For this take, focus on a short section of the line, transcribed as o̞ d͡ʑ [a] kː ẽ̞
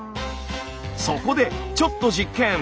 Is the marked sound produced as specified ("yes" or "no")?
no